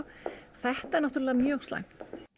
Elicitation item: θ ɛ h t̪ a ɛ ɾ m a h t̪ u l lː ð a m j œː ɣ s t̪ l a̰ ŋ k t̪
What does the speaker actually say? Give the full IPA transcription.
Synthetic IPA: θ ɛ h t̪ a ɛ ɾ n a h t̪ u ɾ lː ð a m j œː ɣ s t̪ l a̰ ŋ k t̪

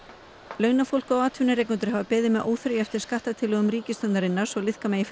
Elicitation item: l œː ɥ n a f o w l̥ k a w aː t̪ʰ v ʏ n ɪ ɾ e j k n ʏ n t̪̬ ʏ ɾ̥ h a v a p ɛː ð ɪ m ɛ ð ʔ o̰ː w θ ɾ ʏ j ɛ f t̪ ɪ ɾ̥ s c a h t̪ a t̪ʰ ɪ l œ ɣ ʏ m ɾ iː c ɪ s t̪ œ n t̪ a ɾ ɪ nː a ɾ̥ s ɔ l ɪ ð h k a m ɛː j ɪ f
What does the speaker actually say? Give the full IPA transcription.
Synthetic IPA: l œː ɥ n a f o w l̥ k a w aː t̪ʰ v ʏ n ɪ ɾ e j k n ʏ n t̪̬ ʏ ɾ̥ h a v a p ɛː ð ɪ m ɛ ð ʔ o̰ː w θ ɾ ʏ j ɛ f t̪ ɪ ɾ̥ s k a h t̪ a t̪ʰ ɪ l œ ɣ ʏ m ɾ iː c ɪ s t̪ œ n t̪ a ɾ ɪ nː a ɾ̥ s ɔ l ɪ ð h k a m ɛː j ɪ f

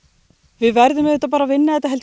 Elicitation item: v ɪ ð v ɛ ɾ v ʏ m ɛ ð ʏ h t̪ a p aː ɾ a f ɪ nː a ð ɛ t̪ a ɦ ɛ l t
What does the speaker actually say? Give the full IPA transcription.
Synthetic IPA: v ɪ ð v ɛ ɾ ð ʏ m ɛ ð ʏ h t̪ a p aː ɾ a v ɪ nː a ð ɛ t̪ a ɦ ɛ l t

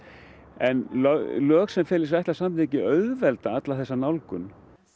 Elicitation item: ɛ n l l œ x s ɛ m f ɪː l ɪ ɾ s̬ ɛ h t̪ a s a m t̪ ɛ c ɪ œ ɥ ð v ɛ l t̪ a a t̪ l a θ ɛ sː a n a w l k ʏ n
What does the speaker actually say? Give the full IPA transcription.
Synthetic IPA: ɛ n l l œː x s ɛ m f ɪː l ɪ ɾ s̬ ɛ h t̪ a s a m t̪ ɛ c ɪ œ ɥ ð v ɛ l t̪ a a t̪ l a θ ɛ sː a n a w l k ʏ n

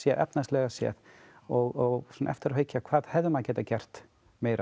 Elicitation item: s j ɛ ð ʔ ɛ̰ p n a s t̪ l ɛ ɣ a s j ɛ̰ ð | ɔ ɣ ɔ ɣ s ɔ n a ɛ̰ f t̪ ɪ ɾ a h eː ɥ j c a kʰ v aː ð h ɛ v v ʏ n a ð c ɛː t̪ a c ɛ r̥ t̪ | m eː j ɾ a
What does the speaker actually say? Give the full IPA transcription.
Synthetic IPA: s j ɛ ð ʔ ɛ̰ p n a s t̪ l ɛ ɣ a s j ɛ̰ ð | ɔ ɣ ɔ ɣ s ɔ n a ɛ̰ f t̪ ɪ ɾ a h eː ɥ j c a kʰ v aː ð h ɛ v ð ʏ m a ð c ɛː t̪ a c ɛ r̥ t̪ | m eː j ɾ a

